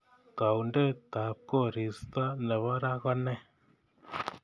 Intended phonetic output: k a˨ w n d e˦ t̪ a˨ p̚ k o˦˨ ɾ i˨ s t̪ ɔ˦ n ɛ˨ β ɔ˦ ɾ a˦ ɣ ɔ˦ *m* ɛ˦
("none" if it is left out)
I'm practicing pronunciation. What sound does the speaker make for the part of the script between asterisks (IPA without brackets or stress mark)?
n